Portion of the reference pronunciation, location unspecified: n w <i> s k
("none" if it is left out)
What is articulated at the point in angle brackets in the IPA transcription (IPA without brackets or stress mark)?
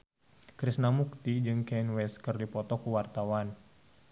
ɛ